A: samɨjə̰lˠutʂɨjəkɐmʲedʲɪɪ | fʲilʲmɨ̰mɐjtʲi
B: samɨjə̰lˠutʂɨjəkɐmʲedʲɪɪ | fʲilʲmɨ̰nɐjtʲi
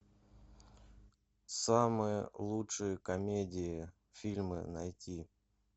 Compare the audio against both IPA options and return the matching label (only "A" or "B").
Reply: B